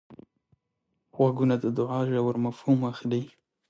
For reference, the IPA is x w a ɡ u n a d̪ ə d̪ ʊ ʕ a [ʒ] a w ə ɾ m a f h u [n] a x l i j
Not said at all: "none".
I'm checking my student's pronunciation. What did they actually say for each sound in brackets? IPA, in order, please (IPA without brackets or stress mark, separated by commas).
ʒ, m